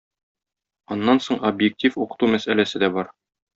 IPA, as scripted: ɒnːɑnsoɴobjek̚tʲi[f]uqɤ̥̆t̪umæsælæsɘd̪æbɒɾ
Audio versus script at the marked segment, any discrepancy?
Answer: no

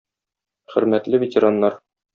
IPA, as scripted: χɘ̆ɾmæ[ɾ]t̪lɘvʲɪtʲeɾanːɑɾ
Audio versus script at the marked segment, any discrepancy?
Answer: yes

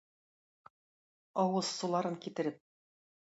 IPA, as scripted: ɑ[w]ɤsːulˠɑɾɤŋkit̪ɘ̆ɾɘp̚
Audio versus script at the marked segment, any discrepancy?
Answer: no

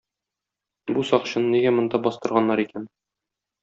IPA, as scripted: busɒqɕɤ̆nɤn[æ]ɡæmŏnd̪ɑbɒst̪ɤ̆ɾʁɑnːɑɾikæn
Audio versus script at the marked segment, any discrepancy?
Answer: yes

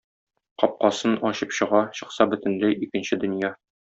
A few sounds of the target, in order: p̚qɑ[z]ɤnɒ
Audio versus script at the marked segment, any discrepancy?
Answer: yes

